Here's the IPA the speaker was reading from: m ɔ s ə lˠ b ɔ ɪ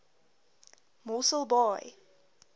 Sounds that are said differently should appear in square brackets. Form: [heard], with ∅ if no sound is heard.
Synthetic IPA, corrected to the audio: m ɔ s ə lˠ b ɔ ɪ